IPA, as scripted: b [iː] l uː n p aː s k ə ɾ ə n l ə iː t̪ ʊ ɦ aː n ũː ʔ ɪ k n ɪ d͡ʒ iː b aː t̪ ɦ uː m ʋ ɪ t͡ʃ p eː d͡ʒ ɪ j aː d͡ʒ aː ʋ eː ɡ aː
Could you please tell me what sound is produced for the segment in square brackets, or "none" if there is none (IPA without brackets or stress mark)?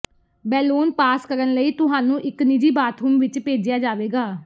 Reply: ɛː